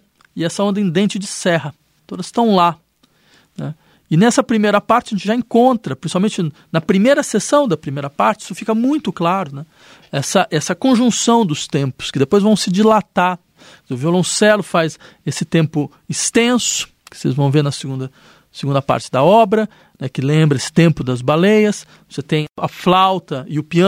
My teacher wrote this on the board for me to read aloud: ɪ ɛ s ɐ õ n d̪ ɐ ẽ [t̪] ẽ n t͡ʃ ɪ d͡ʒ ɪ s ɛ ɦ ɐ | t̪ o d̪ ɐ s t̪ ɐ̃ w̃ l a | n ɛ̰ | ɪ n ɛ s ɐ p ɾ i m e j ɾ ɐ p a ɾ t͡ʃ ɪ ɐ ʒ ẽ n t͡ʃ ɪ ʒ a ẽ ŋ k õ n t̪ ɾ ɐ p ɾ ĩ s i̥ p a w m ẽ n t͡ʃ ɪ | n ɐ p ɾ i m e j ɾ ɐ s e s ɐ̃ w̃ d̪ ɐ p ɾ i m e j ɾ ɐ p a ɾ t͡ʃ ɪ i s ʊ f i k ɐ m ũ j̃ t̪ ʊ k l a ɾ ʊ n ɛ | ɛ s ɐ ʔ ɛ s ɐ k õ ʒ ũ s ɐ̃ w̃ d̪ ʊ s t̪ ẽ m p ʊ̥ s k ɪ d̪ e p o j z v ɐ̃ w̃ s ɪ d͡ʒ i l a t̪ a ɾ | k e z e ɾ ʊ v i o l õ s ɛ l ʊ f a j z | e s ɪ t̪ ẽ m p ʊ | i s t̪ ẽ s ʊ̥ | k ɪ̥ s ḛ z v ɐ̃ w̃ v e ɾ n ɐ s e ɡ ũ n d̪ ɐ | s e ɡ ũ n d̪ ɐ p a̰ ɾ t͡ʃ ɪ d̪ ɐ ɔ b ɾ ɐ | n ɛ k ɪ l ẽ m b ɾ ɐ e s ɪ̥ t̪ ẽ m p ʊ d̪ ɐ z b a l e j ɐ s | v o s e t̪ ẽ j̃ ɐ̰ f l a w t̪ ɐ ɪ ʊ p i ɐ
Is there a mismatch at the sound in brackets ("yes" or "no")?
yes